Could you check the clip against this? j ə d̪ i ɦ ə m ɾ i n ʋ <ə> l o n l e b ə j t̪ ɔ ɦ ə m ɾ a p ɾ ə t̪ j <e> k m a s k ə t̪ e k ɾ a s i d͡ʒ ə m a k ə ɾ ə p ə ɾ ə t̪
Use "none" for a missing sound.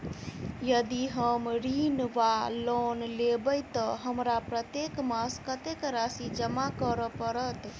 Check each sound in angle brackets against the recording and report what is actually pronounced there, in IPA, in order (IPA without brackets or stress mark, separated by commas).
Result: a, e